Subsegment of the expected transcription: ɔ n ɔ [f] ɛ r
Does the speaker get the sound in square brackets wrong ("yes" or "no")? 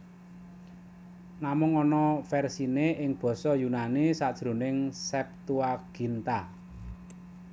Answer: no